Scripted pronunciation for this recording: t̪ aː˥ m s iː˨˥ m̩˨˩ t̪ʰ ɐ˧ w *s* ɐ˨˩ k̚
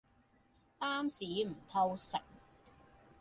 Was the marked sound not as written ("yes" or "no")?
no